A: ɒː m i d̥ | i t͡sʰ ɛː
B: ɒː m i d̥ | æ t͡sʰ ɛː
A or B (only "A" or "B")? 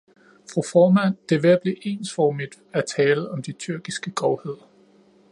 B